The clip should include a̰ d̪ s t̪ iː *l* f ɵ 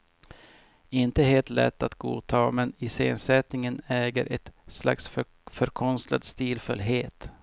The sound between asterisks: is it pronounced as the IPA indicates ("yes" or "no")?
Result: yes